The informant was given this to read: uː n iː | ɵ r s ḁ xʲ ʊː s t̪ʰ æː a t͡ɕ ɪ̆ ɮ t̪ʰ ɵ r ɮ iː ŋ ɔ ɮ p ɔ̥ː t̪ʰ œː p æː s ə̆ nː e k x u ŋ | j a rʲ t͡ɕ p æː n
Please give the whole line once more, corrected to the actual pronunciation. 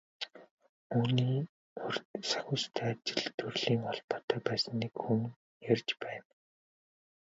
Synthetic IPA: uː n iː | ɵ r s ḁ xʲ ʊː s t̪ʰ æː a t͡ɕ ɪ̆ ɮ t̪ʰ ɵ r ɮ iː ŋ ɔ ɮ p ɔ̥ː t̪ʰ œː p æː s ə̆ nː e k x u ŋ | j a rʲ t͡ɕ p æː n